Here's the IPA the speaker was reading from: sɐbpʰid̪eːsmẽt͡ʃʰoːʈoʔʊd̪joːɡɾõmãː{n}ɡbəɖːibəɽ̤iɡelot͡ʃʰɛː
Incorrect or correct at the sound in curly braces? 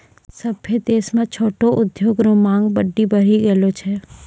incorrect: ŋ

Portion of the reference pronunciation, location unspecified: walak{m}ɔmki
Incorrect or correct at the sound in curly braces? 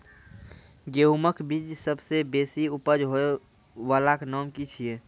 incorrect: n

